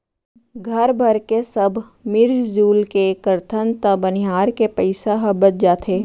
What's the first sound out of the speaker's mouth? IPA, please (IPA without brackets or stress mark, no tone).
ɡʱ